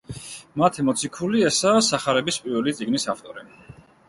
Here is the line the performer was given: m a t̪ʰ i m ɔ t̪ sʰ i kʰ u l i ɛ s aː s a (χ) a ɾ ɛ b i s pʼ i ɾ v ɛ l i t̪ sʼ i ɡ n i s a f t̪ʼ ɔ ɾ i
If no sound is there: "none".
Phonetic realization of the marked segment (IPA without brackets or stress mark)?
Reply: χ